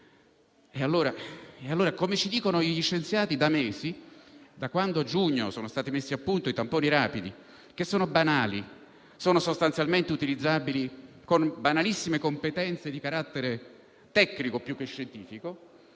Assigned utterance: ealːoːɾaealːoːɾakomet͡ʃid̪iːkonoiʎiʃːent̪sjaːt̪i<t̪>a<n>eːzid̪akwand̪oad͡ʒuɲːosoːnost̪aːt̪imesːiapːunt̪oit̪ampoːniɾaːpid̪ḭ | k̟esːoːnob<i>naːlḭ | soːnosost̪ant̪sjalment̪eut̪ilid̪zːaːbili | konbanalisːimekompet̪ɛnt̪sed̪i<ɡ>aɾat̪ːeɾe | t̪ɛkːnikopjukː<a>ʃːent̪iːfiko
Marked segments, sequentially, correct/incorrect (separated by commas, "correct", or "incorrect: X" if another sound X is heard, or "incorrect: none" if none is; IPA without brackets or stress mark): incorrect: d̪, incorrect: m, incorrect: a, incorrect: k, incorrect: e